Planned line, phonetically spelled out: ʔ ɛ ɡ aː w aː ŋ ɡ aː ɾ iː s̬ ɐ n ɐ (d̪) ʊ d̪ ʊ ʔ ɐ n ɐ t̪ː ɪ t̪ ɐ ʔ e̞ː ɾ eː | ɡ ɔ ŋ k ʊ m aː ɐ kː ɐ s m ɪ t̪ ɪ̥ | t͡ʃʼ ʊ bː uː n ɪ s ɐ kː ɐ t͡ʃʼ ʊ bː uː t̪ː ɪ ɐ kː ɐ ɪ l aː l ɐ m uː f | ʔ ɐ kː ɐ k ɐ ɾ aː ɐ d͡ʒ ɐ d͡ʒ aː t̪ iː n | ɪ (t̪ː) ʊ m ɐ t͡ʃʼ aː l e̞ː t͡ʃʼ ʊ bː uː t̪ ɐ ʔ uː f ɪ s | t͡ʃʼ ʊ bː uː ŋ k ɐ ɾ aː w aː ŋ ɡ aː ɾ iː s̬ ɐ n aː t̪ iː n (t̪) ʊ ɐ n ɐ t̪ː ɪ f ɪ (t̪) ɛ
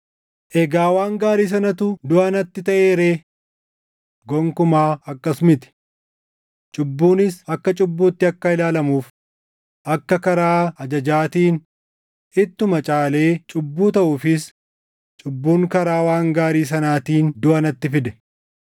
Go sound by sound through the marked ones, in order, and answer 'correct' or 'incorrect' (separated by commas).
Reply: incorrect, correct, incorrect, incorrect